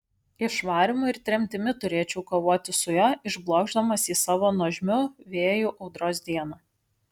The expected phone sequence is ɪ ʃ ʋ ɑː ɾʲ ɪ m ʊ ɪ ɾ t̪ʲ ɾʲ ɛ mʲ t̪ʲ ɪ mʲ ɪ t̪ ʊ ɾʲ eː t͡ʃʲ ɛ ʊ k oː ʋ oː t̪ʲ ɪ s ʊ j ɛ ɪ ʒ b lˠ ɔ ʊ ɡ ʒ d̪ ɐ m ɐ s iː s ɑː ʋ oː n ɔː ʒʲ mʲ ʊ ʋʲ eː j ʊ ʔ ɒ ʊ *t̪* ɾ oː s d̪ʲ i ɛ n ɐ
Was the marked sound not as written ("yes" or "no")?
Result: yes